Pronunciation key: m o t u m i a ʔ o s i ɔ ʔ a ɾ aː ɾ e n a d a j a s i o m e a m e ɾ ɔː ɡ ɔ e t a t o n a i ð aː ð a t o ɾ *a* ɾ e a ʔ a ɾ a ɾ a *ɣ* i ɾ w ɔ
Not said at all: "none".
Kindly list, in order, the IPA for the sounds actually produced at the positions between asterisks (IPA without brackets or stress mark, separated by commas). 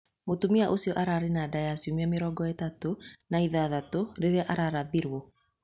e, ð